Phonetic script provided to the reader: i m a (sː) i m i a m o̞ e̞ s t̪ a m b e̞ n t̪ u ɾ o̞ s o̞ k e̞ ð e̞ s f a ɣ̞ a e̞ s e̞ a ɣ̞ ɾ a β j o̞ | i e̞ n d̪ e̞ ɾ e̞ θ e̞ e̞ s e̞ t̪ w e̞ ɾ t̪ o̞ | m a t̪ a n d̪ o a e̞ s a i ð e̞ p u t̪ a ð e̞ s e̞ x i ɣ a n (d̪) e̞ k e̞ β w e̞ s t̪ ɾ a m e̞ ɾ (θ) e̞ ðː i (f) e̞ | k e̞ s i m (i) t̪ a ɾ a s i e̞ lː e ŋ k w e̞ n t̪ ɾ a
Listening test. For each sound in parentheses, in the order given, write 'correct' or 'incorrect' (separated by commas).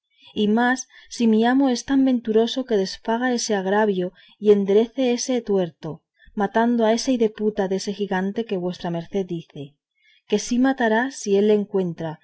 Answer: correct, incorrect, correct, incorrect, incorrect